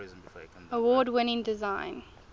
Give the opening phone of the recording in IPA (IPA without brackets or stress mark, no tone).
ə